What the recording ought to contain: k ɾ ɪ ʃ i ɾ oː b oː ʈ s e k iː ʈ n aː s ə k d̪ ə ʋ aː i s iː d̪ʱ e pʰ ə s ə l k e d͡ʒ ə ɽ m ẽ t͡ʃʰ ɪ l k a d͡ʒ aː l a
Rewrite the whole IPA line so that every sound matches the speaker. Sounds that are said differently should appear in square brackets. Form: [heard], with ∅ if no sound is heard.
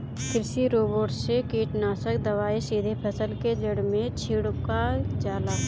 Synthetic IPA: k ɾ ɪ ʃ i ɾ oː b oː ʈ s e k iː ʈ n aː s ə k d̪ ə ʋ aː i s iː d̪ʱ e pʰ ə s ə l k e d͡ʒ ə ɽ m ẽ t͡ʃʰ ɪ [ɽ] k a d͡ʒ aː l a